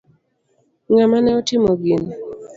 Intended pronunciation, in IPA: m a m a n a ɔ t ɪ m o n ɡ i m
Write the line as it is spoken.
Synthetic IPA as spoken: ŋ a m a n ɛ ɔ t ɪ m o ɡ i n